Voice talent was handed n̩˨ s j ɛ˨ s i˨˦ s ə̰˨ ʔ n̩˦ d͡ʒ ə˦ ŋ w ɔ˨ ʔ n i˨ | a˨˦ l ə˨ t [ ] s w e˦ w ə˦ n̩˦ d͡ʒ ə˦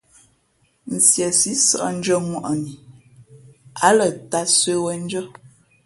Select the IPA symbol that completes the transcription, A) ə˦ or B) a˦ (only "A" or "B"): B